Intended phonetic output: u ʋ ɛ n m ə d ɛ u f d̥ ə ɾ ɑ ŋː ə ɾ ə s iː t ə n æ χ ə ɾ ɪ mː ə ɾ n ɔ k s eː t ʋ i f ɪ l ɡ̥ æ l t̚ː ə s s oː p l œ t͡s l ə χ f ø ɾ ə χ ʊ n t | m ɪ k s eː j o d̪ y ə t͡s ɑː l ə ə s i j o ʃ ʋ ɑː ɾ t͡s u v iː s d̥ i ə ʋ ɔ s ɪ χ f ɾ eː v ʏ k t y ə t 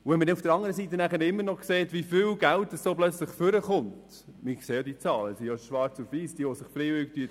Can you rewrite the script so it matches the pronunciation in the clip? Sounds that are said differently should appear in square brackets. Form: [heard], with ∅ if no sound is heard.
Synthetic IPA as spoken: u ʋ ɛ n m ə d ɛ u f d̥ ə ɾ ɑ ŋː ə ɾ ə s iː t ə n æ χ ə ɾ ɪ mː ə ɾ n ɔ k s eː t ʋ i f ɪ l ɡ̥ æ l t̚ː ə s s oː p l œ t͡s l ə χ f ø ɾ ə χ ʊ n t | m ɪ k s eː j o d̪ [i] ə t͡s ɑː l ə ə s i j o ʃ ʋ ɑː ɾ t͡s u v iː s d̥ i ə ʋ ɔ s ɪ χ f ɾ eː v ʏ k t y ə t